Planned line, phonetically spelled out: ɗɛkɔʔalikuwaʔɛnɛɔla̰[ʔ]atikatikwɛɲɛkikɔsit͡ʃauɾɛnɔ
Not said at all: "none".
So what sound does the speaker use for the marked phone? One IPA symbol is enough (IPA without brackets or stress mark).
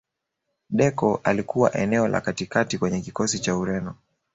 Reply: k